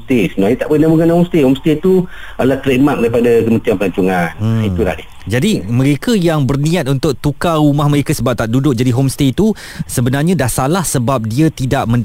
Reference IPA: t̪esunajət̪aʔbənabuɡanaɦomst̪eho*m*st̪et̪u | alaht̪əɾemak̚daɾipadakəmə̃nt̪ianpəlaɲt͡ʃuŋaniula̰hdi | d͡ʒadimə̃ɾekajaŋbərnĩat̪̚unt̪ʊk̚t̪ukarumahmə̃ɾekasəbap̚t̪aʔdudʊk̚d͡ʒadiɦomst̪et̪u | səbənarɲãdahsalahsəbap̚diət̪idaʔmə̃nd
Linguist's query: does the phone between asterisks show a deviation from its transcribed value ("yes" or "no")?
no